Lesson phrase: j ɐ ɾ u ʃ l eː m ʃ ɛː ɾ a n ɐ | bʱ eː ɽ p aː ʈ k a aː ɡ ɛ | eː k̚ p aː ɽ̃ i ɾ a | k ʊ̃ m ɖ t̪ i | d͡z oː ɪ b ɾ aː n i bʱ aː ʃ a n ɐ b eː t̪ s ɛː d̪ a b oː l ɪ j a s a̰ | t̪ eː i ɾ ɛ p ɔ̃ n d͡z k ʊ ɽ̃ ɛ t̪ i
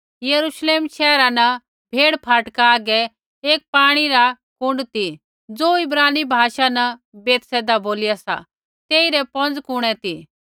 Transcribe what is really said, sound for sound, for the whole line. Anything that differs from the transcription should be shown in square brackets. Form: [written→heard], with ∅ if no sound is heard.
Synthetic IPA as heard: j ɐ ɾ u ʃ l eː m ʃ ɛː ɾ a n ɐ | bʱ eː ɽ [p→pʰ] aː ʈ k a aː ɡ ɛ | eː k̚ p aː ɽ̃ i ɾ a | k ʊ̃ [m→ɳ] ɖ t̪ i | d͡z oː ɪ b ɾ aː n i bʱ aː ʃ a n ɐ b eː t̪ s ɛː d̪ a b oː l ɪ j a s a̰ | t̪ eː i ɾ ɛ p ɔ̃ n d͡z k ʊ ɽ̃ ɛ t̪ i